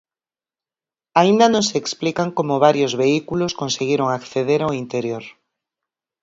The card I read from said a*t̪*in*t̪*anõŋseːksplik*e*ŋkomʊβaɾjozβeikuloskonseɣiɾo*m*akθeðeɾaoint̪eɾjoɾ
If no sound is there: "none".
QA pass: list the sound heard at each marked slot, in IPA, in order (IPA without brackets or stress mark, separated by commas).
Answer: none, d̪, a, ŋ